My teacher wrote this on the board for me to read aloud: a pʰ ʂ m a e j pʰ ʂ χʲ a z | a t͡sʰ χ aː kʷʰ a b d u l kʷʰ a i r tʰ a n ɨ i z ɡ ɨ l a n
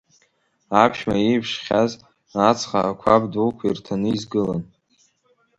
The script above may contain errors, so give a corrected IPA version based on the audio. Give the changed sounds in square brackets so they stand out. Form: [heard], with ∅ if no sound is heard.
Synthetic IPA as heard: a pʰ [ʃ] m a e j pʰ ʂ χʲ a z | a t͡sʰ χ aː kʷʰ a b d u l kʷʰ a i r tʰ a n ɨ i z ɡ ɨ l a n